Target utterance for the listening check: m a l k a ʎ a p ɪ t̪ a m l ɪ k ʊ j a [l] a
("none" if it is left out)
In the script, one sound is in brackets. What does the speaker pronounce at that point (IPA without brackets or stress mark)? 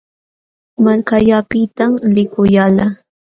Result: l